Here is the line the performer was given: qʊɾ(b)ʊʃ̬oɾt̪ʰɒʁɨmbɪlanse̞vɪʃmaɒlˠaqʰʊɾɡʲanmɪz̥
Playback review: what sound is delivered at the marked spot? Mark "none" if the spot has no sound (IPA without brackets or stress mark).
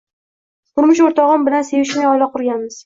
m